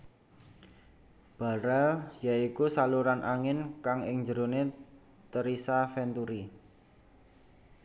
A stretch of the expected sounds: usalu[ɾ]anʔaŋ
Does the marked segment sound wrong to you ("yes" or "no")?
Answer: no